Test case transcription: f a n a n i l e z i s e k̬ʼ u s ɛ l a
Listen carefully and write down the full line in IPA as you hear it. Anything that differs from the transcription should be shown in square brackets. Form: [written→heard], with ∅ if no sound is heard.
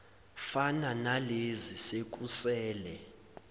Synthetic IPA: f a n a n [i→a] l e z i s e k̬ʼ u s [ɛ→ɛː] l [a→ɛ]